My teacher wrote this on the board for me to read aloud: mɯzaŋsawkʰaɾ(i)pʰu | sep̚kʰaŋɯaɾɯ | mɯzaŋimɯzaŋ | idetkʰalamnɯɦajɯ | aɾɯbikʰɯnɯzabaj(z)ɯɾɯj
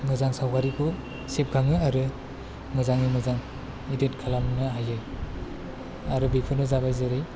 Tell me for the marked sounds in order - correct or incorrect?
correct, correct

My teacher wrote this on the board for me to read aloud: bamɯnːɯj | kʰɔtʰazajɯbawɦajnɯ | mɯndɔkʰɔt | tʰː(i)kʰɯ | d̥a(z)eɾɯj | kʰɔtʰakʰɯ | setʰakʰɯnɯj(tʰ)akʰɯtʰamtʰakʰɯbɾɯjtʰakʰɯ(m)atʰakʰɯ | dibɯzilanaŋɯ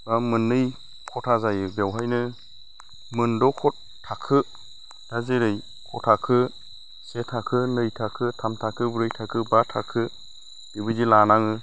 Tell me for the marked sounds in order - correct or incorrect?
incorrect, correct, correct, incorrect

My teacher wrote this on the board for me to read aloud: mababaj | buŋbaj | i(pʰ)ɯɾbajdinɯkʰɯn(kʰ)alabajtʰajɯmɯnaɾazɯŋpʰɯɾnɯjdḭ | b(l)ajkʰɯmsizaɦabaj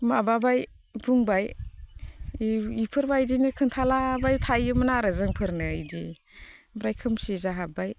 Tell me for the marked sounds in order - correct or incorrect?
correct, incorrect, incorrect

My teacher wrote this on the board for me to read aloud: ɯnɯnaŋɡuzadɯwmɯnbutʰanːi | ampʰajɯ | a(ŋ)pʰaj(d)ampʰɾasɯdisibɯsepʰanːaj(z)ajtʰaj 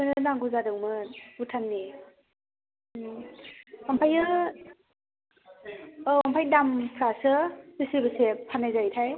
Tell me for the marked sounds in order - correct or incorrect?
incorrect, correct, correct

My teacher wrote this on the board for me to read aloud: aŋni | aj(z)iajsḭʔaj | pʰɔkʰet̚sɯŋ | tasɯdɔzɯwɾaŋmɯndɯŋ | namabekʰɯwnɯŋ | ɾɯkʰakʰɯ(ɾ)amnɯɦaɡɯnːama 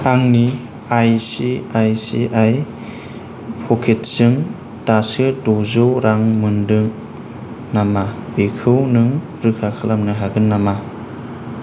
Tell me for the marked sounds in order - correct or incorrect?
incorrect, incorrect

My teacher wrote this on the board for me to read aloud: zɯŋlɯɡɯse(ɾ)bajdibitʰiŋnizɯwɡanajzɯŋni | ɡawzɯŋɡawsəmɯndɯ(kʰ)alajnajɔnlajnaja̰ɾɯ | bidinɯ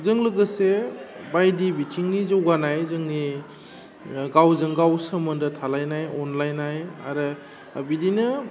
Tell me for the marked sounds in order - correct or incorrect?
incorrect, incorrect

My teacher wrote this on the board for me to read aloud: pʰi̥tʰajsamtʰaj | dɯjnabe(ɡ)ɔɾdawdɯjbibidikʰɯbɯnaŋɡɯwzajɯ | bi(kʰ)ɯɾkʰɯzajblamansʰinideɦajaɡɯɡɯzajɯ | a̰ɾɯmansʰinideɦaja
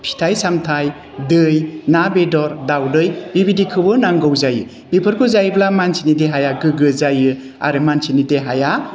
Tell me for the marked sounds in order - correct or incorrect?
incorrect, incorrect

